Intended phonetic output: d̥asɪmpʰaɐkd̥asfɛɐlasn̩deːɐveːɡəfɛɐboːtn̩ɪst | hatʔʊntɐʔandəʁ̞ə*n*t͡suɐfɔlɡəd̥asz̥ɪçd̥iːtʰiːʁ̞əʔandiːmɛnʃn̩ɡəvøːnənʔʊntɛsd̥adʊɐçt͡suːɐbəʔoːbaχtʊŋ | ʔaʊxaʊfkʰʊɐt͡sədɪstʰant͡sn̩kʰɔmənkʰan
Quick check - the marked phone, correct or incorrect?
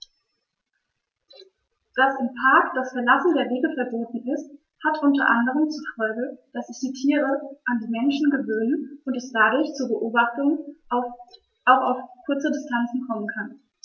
incorrect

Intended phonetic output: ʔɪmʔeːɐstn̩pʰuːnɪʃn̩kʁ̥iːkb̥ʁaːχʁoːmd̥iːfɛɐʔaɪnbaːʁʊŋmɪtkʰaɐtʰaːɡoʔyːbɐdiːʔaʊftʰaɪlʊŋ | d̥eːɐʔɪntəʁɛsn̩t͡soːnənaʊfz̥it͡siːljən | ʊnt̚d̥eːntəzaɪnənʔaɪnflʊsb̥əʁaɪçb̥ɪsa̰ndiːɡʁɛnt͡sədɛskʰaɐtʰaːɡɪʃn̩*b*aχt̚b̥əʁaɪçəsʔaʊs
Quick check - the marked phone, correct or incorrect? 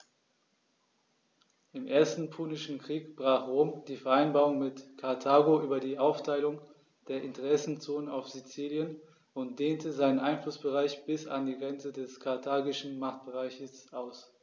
incorrect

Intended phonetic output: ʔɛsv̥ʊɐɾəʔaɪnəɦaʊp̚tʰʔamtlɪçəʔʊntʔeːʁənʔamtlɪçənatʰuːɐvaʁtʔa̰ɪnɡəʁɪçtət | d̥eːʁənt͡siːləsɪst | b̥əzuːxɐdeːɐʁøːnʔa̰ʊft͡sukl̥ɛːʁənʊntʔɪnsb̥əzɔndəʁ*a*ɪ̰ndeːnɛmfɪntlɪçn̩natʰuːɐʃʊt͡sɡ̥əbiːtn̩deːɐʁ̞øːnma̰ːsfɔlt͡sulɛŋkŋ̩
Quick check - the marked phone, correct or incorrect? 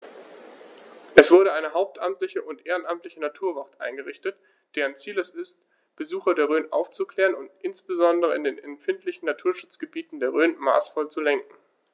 incorrect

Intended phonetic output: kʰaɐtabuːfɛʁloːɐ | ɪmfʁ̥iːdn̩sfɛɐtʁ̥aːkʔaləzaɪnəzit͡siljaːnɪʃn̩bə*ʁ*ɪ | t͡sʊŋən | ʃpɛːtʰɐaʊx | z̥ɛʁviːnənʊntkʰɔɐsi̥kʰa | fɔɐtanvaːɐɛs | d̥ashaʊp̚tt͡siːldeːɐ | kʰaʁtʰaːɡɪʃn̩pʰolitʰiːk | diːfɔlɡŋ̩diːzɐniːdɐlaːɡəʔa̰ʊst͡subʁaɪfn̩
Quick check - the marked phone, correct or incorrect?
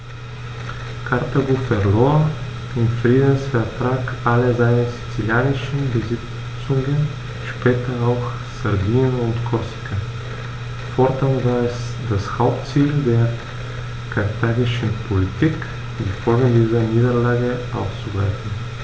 incorrect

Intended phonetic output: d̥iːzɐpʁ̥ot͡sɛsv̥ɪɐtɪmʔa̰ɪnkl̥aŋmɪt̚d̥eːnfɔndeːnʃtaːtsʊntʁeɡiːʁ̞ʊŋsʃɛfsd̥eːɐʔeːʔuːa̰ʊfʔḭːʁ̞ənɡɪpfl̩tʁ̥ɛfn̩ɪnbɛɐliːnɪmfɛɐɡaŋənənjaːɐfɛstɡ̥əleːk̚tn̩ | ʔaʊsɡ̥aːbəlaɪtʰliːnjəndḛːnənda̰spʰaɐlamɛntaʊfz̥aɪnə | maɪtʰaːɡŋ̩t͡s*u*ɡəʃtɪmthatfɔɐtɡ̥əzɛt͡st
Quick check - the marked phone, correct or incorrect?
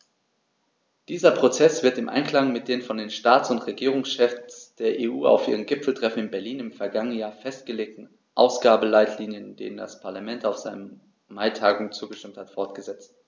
incorrect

